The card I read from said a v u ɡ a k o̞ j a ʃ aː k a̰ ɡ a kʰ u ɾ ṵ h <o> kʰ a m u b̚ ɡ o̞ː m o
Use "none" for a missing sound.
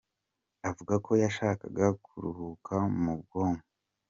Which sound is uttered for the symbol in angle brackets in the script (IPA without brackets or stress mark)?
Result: u